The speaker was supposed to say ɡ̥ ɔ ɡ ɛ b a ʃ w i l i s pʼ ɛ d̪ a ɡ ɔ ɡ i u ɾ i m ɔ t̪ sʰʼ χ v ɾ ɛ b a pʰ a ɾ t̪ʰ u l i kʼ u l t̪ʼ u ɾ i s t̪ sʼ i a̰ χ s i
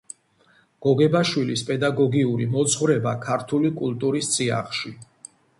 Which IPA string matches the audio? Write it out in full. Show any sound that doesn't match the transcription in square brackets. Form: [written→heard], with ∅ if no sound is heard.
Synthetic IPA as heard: ɡ̥ ɔ ɡ ɛ b a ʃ w i l i s pʼ ɛ d̪ a ɡ ɔ ɡ i u ɾ i m ɔ t̪ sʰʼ χ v ɾ ɛ b a [pʰ→kʰ] a ɾ t̪ʰ u l i kʼ u l t̪ʼ u ɾ i s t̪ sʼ i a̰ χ [s→ʃ] i